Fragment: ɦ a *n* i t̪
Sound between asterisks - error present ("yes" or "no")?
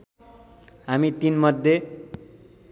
yes